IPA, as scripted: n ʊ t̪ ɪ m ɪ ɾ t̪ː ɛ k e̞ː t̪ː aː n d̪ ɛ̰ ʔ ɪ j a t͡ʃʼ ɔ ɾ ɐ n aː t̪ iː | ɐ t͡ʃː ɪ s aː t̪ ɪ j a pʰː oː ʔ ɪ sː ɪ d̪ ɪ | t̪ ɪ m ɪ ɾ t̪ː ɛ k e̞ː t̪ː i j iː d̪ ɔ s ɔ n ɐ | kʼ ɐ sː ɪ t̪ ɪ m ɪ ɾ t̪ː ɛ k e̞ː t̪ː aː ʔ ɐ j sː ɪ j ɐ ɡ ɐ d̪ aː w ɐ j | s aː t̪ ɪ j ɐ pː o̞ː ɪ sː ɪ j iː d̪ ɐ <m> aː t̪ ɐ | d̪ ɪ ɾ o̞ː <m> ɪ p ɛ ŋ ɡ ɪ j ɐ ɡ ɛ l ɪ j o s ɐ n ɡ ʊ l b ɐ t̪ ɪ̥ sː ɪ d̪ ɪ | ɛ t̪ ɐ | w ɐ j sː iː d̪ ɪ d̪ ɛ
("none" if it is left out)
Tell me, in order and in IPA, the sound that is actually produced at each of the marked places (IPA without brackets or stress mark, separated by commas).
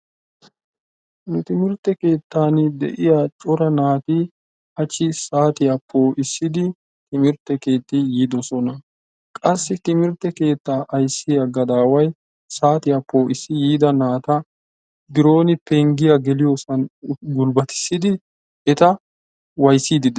n, n